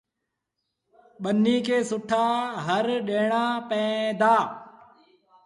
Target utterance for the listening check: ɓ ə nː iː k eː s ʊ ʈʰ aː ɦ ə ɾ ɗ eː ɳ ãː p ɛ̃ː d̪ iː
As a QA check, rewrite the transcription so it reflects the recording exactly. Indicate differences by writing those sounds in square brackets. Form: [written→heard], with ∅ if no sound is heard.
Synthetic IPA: ɓ ə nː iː k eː s ʊ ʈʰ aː ɦ ə ɾ ɗ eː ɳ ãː p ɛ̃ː d̪ [iː→aː]